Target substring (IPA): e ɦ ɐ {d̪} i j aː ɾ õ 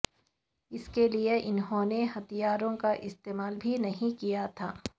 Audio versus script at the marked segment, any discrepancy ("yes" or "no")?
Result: yes